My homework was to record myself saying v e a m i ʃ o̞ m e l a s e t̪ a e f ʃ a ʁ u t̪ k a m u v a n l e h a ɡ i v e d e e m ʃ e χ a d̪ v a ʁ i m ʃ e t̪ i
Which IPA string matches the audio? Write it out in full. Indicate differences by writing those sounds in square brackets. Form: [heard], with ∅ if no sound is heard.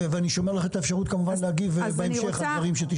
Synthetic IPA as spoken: v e a [n] i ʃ o̞ m e l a [χ] e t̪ a e f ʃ a ʁ u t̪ k a m u v a n l e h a ɡ i v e [b] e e m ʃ e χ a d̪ v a ʁ i m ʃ e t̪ i